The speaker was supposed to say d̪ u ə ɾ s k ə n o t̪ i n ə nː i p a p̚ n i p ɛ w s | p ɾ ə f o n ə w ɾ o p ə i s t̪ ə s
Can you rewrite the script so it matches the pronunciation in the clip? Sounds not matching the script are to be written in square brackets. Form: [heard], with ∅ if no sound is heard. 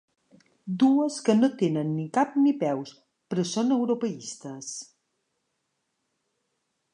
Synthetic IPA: d̪ u ə [∅] s k ə n o t̪ [e] n ə nː i [k] a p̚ n i p ɛ w s | p ɾ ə [s] o n ə w ɾ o p ə i s t̪ ə s